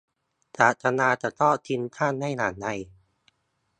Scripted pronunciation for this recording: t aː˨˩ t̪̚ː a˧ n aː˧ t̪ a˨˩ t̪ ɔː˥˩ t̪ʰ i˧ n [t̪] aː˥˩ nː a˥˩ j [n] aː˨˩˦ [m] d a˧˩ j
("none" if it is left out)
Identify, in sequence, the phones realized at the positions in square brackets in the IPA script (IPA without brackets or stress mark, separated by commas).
t̪ʰ, n, n